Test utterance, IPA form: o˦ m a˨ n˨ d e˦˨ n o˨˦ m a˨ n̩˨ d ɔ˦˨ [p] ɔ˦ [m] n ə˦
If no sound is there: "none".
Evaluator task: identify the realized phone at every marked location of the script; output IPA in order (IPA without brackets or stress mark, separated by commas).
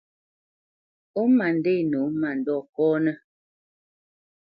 k, none